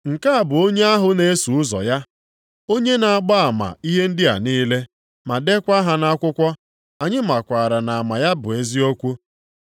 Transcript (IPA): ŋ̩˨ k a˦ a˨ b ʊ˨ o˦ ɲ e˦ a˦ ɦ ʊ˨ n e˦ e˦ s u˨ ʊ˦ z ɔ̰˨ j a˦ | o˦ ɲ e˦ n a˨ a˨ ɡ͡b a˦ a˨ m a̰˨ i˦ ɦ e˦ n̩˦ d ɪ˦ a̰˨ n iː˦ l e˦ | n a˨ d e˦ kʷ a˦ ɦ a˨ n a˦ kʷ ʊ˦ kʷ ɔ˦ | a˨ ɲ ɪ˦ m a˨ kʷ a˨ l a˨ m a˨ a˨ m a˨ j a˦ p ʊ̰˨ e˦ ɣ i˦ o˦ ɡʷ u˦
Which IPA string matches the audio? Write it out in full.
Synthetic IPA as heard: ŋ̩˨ k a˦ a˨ b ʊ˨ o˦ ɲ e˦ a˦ ɦ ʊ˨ n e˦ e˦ s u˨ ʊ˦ z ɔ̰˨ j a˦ | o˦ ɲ e˦ n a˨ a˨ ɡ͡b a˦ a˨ m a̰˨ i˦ ɦ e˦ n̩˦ d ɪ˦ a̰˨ n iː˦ l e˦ | m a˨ d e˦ kʷ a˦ ɦ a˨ n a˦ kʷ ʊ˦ kʷ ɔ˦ | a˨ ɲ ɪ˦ m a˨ kʷ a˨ ɾ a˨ n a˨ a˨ m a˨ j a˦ b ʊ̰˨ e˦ z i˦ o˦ kʷ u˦